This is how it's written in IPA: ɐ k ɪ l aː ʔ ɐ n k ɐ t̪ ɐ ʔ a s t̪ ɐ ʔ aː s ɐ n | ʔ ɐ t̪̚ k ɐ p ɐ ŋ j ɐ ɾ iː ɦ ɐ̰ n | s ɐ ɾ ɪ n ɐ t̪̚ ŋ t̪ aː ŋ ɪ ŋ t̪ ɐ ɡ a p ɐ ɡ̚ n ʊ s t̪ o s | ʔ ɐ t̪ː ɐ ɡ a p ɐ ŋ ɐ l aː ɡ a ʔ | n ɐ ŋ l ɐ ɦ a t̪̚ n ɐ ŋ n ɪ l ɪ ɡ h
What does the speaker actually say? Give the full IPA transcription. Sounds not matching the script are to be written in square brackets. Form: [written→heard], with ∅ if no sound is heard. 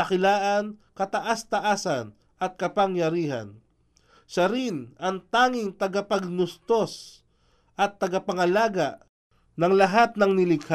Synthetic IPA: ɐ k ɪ l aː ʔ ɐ n k ɐ t̪ ɐ ʔ a s t̪ ɐ ʔ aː s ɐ n | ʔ ɐ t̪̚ k ɐ p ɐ ŋ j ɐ ɾ iː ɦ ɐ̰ n | [s→ʃ] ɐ ɾ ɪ n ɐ [t̪̚→∅] ŋ t̪ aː ŋ ɪ ŋ t̪ ɐ ɡ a p ɐ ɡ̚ n ʊ s t̪ o s | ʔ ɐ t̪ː ɐ ɡ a p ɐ ŋ ɐ l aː ɡ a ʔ | n ɐ ŋ l ɐ ɦ a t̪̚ n ɐ ŋ n ɪ l ɪ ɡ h